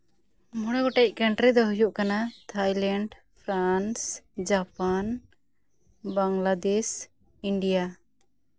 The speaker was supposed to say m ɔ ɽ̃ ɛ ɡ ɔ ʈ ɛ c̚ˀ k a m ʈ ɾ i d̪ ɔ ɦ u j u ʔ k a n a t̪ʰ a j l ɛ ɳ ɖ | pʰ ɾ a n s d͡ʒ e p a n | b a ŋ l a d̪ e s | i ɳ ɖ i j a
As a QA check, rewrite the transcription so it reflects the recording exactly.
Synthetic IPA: m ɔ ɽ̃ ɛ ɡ ɔ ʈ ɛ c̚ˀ k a ɳ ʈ ɾ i d̪ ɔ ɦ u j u ʔ k a n a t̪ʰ a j l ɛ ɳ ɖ | pʰ ɾ a n s d͡ʒ a p a n | b a ŋ l a d̪ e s | i ɳ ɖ i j a